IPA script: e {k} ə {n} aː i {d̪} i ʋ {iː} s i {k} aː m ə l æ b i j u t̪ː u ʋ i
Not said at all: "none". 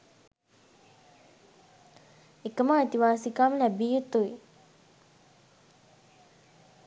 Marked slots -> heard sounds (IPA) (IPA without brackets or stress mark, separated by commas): k, m, t̪, aː, k